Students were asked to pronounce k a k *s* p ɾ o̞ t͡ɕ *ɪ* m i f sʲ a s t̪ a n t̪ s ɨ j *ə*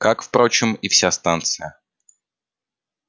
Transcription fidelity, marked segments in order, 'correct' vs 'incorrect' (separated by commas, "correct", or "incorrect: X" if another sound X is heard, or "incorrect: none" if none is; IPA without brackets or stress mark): incorrect: f, correct, correct